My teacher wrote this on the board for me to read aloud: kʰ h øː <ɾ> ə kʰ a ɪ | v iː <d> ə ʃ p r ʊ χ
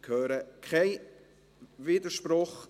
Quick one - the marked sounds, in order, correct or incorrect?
correct, correct

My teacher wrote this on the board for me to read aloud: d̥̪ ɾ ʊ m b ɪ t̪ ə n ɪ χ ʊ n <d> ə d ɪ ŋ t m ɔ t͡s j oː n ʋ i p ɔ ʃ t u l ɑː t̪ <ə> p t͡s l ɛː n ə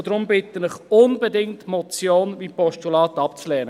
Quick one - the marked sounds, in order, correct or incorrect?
incorrect, incorrect

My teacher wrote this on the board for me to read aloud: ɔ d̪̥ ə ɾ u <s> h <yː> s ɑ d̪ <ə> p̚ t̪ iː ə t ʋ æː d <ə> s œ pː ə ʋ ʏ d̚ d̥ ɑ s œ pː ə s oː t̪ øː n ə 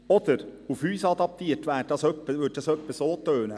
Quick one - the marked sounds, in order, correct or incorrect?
incorrect, correct, incorrect, incorrect

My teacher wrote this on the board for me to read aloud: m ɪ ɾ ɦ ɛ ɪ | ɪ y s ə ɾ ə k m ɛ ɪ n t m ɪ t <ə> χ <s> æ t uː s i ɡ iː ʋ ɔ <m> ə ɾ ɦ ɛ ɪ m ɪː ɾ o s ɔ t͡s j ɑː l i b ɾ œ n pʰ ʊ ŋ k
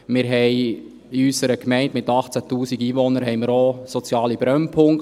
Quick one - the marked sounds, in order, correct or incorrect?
incorrect, incorrect, incorrect

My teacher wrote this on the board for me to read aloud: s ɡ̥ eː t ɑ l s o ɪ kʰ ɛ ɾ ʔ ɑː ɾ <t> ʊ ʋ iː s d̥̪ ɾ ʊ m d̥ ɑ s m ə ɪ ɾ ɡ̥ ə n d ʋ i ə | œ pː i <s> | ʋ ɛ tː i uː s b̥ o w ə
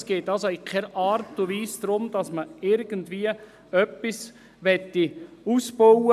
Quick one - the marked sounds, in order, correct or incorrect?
correct, correct

